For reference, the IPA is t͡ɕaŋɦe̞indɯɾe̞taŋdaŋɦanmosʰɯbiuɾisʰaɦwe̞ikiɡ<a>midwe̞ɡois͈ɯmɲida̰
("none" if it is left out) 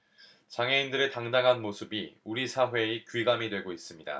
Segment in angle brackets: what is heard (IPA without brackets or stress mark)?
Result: a